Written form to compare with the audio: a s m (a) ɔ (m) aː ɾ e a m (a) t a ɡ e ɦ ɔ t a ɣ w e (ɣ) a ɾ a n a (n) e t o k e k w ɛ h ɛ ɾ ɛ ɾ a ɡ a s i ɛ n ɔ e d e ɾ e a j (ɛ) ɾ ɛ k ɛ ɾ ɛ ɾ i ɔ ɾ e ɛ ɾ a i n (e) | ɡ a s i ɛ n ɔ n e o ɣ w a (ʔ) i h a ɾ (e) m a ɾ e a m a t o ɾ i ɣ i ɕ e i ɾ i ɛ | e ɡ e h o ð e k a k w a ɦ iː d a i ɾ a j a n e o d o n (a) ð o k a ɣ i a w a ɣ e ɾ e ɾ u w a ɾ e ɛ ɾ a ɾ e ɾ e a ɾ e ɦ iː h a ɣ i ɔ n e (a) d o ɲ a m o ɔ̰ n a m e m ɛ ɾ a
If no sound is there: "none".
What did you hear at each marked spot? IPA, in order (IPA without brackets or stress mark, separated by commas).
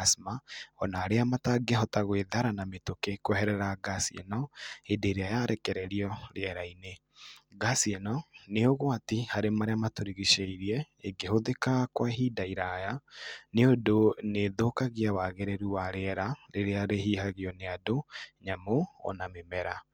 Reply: a, n, a, ð, m, a, e, t, e, e, a